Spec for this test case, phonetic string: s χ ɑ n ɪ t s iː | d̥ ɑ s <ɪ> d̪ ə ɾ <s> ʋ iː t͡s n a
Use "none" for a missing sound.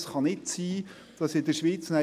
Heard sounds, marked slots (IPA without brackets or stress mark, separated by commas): ɪ, ʃ